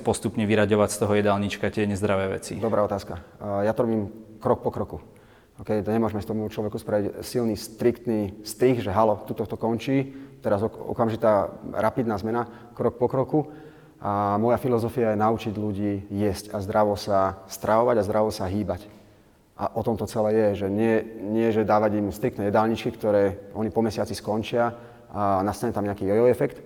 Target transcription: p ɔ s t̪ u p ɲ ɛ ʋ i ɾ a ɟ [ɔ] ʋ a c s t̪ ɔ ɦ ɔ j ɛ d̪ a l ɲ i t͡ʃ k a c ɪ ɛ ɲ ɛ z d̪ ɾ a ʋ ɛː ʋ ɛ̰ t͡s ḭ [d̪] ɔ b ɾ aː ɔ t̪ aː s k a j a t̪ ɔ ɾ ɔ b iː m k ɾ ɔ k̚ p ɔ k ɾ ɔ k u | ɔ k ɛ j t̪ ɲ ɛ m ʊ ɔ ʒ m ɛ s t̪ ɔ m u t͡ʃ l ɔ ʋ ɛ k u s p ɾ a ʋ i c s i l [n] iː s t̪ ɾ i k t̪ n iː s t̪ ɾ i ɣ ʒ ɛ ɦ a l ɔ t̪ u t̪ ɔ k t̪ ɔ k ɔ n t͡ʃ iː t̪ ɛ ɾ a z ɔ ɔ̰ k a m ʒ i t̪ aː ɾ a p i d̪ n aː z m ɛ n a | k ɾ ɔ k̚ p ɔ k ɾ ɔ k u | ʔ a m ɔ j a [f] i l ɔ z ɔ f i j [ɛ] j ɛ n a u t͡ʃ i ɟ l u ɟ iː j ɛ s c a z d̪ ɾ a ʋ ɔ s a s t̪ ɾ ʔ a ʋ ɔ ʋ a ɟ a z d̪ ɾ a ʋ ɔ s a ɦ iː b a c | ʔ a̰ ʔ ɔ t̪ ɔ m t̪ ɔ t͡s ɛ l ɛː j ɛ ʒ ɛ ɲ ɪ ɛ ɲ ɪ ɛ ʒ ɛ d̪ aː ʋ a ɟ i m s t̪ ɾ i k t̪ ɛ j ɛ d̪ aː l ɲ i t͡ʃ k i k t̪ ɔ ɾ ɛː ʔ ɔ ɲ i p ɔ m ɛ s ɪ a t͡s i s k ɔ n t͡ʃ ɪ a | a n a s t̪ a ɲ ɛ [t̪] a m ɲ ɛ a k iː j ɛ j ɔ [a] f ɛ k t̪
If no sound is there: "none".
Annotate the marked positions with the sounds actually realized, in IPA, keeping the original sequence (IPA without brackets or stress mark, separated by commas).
ɔ, d̪, n, f, a, t̪, ɛ